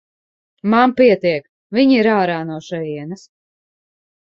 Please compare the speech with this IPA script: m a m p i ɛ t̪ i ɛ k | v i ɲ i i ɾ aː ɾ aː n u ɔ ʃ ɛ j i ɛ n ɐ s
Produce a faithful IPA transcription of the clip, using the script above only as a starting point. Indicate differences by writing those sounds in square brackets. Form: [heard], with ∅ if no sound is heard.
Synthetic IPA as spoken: m a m p i ɛ t̪ i ɛ k | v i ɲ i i ɾ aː ɾ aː n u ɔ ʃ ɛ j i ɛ n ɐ s